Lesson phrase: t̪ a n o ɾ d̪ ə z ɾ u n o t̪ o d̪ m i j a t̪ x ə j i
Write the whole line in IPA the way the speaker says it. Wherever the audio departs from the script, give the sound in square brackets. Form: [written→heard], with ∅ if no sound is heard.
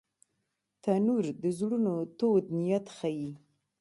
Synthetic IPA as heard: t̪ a n [o→u] ɾ d̪ ə z [ɾ→ɽ] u n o t̪ o d̪ [m→n] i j a t̪ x [ə→a] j i